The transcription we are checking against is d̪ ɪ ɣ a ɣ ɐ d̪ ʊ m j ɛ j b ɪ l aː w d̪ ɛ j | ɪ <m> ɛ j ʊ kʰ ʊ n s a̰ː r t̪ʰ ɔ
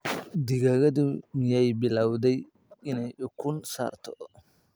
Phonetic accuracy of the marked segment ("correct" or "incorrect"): incorrect